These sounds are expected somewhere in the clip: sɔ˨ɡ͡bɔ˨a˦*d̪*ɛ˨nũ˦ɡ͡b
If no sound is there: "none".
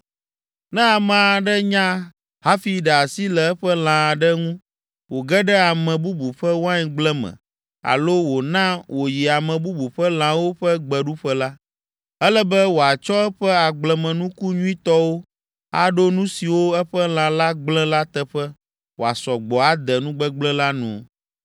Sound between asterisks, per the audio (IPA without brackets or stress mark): d̪